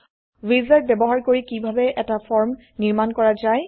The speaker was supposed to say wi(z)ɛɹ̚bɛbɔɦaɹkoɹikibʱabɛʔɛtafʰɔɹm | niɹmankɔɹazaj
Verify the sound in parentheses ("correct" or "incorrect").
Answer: correct